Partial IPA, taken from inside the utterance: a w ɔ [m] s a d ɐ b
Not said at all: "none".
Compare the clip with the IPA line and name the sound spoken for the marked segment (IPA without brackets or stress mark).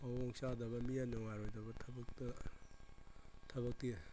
ŋ